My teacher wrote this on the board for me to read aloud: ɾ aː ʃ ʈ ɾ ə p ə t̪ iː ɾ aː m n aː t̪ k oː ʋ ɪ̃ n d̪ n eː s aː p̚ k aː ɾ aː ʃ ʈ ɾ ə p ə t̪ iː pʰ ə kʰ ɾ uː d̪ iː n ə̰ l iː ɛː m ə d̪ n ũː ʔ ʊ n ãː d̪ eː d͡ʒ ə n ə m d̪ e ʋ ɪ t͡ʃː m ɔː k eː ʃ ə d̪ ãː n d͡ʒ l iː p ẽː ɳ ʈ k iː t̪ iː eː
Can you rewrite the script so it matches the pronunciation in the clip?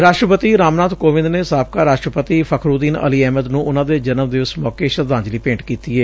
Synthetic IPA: ɾ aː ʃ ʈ ɾ ə p ə t̪ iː ɾ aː m n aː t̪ k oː ʋ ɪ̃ n d̪ n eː s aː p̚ k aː ɾ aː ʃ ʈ ɾ ə p ə t̪ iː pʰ ə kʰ ɾ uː d̪ iː n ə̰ l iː ɛː m ə d̪ n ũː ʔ ʊ n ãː d̪ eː d͡ʒ ə n ə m d̪ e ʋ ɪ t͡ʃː m ɔː k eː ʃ ə d̪ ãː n d͡ʒ l iː p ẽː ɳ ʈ k iː t̪ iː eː